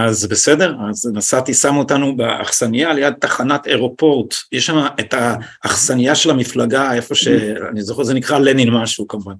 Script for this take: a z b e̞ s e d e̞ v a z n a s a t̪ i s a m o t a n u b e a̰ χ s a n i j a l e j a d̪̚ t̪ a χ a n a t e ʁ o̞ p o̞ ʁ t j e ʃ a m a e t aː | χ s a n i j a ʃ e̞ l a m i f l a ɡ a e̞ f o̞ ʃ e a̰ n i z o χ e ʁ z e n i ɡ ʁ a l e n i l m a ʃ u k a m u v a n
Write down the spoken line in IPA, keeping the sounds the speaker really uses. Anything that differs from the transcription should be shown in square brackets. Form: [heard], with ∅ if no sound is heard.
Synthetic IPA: a z b e̞ s e d e̞ [ʁ] a z n a s a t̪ i s a m o t a n u b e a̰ χ s a n i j a l e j a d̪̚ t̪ a χ a n a t e ʁ o̞ p o̞ ʁ t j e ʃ a m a e t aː | χ s a n i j a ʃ e̞ l a m i f l a ɡ a e̞ f o̞ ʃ e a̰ n i z o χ e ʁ z e n i [k] ʁ a l e n i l m a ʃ u k a m u v a n